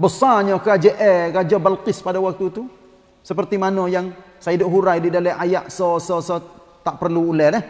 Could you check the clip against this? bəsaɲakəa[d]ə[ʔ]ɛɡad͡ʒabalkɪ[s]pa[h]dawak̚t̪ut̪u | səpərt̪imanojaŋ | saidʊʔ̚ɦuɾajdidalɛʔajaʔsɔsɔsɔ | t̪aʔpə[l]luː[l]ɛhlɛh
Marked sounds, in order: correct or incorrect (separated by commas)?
incorrect, correct, correct, incorrect, incorrect, correct